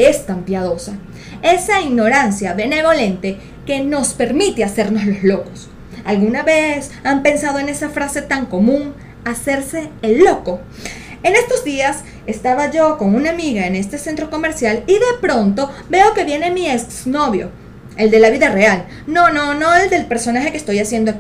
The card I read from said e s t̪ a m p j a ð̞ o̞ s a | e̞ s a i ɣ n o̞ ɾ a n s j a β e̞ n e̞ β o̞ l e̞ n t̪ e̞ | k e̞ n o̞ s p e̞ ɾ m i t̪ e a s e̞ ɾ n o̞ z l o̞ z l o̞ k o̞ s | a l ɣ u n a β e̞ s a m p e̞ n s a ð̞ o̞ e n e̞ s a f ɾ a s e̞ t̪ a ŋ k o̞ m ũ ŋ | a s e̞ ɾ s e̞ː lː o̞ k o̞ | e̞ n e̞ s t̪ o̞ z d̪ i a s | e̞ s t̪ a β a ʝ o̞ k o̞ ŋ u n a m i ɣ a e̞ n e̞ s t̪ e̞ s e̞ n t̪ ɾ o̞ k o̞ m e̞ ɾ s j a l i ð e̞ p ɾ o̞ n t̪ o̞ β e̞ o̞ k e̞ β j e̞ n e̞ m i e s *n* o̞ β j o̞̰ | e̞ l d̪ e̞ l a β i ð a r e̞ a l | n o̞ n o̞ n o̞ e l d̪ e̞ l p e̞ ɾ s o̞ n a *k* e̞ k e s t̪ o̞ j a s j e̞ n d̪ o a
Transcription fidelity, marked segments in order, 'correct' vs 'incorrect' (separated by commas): correct, incorrect